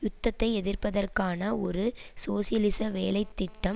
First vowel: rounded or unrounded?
rounded